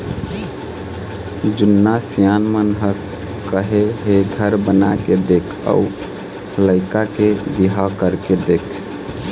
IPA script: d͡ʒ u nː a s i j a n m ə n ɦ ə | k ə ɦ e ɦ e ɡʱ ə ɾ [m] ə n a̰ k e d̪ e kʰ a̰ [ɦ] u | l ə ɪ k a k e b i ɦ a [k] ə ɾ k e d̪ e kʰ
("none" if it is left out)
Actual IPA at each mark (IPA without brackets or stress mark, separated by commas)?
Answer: b, none, k